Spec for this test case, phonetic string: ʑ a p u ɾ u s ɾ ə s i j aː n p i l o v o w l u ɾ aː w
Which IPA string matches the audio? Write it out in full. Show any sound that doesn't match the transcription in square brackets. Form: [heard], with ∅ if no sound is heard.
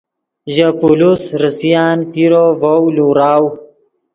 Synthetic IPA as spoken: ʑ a p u [l] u s ɾ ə s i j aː n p i [ɾ] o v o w l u ɾ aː w